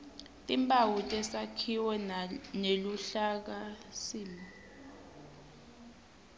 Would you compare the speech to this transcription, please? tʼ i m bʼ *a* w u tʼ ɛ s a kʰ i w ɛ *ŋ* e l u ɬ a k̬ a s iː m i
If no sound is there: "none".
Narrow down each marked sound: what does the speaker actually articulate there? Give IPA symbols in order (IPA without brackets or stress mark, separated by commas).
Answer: a, n